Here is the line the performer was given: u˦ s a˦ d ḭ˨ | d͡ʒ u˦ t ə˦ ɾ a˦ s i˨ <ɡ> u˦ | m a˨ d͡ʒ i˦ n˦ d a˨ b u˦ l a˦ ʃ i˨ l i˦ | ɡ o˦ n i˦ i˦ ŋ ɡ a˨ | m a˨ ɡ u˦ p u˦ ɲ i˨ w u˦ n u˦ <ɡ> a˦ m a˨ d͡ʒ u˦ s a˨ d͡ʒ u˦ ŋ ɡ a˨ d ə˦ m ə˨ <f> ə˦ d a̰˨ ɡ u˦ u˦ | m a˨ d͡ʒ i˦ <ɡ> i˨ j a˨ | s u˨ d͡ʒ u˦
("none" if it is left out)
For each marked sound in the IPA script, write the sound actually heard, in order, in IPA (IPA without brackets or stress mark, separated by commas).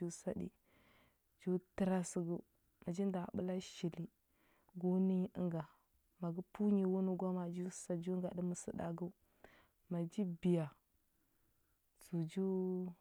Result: ɡ, ɡ, s, b